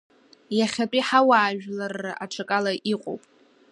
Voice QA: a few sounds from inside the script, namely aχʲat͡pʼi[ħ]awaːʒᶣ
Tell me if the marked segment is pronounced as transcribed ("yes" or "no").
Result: yes